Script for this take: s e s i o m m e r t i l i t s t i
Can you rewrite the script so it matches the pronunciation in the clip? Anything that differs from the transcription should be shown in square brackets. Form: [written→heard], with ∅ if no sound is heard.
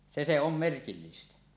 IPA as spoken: s e s [i→e] o m m e r [t→k] i [l→lː] i [t→∅] s t [i→æ]